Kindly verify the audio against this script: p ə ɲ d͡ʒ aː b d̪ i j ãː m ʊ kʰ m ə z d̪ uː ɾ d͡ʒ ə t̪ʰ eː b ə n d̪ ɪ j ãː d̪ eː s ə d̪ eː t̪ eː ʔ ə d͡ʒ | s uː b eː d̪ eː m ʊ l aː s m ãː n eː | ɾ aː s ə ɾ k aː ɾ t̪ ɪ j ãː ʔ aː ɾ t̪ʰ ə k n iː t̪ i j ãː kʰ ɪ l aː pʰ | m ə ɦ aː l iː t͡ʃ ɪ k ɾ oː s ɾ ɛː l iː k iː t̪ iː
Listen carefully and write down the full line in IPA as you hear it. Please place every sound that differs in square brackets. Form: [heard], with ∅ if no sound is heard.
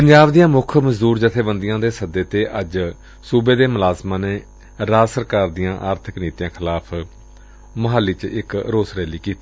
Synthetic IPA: p ə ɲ d͡ʒ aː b d̪ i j ãː m ʊ kʰ m ə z d̪ uː ɾ d͡ʒ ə t̪ʰ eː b ə n d̪ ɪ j ãː d̪ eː s ə d̪ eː t̪ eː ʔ ə d͡ʒ | s uː b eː d̪ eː m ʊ l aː [z] m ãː n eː | ɾ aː s ə ɾ k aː ɾ [d̪] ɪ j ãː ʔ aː ɾ t̪ʰ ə k n iː t̪ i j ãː kʰ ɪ l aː pʰ | m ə ɦ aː l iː t͡ʃ ɪ k ɾ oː s ɾ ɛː l iː k iː t̪ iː